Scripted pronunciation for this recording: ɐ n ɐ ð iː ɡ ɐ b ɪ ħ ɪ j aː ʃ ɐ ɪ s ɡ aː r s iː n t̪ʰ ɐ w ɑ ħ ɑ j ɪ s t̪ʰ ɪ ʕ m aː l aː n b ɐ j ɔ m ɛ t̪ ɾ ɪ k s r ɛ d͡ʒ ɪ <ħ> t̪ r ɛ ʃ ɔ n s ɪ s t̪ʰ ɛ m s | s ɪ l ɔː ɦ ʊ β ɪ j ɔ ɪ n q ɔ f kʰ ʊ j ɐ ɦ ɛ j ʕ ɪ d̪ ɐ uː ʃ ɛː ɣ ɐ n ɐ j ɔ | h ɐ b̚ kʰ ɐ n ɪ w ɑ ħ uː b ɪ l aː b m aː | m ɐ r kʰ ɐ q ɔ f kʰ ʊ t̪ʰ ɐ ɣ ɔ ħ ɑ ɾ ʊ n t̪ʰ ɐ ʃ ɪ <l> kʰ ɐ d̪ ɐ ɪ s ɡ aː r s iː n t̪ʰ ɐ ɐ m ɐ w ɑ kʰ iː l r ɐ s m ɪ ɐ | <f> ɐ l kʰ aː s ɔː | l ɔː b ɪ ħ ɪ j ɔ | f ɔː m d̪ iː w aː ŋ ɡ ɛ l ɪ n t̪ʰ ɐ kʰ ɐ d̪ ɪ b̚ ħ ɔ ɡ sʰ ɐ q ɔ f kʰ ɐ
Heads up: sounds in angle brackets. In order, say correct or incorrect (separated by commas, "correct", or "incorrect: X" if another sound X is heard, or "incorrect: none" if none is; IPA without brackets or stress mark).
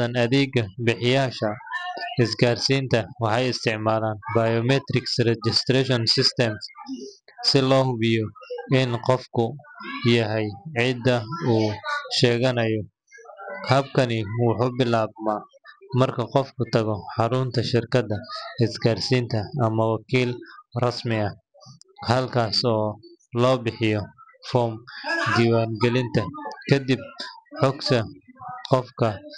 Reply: incorrect: s, incorrect: r, incorrect: h